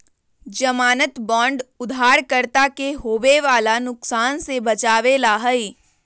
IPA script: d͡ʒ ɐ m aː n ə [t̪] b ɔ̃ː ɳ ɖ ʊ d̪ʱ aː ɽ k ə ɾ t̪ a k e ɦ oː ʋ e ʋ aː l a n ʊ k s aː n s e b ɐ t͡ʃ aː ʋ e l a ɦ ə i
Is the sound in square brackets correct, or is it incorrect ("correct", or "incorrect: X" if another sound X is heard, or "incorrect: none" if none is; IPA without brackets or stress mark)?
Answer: correct